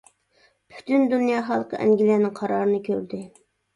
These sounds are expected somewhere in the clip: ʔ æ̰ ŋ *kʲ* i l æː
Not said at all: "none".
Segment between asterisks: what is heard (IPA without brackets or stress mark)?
ɡʲ